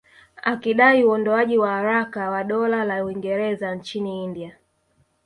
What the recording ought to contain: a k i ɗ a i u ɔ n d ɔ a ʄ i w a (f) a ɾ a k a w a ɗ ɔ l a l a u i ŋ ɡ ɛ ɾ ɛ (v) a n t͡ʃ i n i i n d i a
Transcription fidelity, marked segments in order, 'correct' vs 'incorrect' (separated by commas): incorrect, incorrect